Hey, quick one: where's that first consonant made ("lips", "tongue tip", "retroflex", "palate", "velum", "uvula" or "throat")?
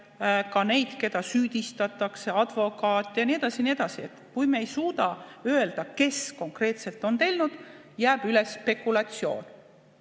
velum